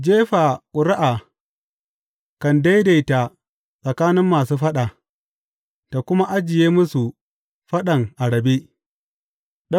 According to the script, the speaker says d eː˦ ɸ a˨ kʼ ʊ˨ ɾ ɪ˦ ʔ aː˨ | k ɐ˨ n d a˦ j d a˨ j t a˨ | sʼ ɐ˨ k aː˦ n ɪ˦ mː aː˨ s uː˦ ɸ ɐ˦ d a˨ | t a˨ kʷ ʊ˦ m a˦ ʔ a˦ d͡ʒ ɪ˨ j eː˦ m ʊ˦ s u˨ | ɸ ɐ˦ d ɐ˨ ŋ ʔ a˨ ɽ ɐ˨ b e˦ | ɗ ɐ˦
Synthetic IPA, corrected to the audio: d͡ʒ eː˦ ɸ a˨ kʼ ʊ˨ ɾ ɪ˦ ʔ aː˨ | k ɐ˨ n d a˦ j d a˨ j t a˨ | sʼ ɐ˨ k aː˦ n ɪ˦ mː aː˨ s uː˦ ɸ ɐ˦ ɗ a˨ | t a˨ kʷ ʊ˦ m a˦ ʔ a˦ d͡ʒ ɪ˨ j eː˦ m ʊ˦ s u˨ | ɸ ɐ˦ ɗ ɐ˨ ŋ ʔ a˨ ɽ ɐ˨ b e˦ | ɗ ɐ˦